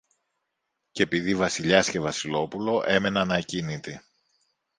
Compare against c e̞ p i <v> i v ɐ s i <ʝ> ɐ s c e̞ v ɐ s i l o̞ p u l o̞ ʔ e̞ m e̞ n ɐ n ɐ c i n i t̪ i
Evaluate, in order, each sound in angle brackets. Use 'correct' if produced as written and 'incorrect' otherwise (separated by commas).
incorrect, incorrect